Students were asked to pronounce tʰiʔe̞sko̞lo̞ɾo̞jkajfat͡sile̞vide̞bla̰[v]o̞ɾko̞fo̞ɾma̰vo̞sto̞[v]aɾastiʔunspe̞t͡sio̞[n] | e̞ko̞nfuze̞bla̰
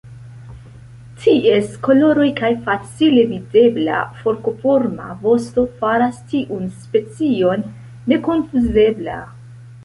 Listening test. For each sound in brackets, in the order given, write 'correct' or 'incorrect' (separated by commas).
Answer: incorrect, incorrect, incorrect